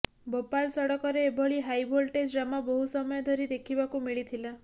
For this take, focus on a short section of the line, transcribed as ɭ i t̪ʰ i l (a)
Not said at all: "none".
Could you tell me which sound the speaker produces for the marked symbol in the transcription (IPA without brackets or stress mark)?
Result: a